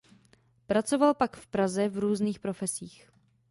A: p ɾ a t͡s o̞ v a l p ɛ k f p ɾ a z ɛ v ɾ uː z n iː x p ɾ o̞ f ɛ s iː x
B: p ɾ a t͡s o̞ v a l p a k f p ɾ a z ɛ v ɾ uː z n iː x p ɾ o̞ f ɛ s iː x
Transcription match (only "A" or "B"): B